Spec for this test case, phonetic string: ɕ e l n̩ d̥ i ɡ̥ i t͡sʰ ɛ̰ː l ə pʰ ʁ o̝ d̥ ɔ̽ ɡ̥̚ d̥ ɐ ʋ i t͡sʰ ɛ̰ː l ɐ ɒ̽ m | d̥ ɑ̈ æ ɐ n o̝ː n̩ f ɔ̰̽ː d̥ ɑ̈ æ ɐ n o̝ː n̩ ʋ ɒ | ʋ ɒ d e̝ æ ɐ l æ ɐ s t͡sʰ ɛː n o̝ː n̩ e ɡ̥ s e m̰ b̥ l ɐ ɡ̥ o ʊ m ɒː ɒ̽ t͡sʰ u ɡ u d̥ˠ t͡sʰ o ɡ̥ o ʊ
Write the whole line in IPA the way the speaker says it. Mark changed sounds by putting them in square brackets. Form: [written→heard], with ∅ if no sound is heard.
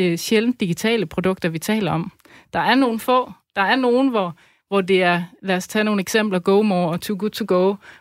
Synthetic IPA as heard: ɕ e l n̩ d̥ i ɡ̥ i t͡sʰ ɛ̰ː l ə pʰ ʁ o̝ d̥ ɔ̽ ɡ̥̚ d̥ ɐ ʋ i t͡sʰ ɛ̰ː l ɐ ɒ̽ m | d̥ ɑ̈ æ ɐ n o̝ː n̩ f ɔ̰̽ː d̥ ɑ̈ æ ɐ n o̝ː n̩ ʋ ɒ | ʋ ɒ d e̝ æ ɐ l æ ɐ s t͡sʰ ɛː n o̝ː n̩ e ɡ̥ s e m̰ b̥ l ɐ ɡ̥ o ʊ m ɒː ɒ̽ t͡sʰ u ɡ u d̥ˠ t͡sʰ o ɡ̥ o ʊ